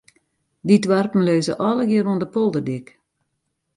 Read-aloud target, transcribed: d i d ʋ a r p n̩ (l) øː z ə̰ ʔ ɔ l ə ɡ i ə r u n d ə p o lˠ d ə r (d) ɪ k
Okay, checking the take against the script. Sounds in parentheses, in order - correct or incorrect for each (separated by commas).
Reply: correct, correct